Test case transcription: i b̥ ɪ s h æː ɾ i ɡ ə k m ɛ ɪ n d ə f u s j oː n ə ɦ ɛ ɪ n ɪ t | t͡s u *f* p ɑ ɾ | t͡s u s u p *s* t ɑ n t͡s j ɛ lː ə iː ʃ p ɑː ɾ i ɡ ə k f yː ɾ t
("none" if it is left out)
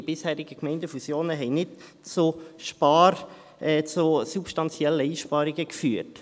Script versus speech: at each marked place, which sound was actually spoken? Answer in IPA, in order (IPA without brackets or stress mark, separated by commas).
ʃ, ʃ